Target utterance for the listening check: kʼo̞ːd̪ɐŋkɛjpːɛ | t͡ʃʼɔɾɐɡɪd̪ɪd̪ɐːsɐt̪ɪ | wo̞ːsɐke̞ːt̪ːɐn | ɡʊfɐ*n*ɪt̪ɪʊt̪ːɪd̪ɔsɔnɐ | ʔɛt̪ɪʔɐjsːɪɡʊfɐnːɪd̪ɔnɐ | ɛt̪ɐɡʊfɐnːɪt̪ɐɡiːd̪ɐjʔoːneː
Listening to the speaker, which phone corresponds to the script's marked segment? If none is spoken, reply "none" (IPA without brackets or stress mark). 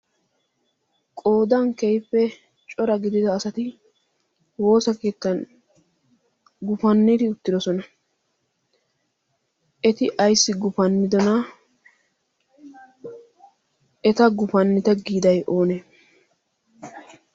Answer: nː